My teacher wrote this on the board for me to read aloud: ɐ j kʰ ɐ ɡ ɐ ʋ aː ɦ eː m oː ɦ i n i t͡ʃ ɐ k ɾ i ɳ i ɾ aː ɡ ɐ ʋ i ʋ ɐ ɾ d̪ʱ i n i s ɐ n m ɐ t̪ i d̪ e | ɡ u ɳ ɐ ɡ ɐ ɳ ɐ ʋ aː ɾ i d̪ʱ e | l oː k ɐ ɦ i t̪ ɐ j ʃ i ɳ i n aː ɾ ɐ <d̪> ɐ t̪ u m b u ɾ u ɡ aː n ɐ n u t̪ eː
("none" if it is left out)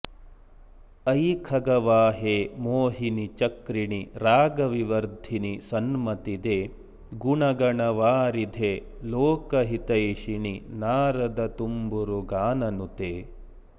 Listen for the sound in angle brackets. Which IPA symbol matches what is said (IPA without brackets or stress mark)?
d̪